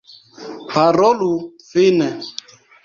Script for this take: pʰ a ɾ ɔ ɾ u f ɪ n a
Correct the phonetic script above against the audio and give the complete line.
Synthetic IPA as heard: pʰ a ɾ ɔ l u f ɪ n ɛ